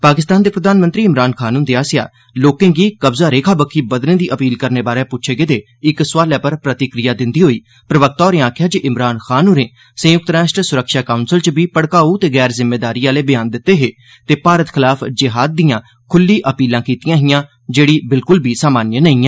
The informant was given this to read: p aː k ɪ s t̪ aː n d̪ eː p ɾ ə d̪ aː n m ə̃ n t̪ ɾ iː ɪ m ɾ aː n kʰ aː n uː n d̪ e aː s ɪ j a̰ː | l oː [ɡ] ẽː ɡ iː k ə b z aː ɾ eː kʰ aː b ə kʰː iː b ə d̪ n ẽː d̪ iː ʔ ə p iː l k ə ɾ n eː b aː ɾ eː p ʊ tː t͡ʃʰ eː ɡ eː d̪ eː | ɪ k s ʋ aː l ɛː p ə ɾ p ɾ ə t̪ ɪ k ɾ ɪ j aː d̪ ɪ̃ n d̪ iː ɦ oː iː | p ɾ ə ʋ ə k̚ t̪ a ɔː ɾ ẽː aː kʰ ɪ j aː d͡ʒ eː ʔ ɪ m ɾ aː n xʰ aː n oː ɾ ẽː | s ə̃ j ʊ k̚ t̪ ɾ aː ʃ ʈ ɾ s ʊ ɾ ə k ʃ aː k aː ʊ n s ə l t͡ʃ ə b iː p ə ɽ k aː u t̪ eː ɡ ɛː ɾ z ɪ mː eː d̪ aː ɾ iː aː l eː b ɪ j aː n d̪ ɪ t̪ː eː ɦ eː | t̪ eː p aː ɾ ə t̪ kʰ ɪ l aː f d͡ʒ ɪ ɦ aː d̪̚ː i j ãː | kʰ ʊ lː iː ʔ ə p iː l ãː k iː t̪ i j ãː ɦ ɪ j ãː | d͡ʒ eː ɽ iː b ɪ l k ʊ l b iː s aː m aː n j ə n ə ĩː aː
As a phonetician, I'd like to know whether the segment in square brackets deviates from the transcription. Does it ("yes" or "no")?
yes